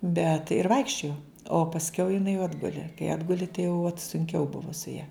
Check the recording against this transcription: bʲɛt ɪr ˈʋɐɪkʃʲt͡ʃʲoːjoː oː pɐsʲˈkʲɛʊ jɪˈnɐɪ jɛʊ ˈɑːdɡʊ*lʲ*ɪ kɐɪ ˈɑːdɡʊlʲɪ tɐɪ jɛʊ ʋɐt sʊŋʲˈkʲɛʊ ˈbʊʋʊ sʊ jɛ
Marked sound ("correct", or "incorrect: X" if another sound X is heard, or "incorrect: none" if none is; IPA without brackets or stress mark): correct